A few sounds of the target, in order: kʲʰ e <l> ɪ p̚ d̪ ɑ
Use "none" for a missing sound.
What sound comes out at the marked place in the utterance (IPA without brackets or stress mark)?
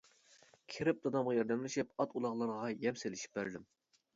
ɾ